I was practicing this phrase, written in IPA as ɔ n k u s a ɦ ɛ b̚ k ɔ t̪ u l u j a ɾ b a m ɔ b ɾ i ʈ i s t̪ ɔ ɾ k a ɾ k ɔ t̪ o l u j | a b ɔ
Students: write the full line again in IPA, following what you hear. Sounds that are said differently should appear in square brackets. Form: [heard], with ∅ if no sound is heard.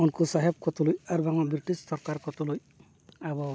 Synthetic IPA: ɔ n k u s a ɦ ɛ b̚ k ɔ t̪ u l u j a ɾ b a [ŋ] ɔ b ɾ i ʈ i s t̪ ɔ ɾ k a ɾ k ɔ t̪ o l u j | a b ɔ